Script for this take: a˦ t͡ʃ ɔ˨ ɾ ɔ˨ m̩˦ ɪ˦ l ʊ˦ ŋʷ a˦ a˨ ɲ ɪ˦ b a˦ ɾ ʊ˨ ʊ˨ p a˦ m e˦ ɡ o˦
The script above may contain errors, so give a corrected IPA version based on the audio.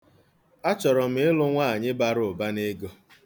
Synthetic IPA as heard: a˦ t͡ʃ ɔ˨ ɾ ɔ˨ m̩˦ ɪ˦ l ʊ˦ ŋʷ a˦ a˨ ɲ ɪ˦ b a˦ ɾ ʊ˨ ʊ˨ b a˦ n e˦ ɡ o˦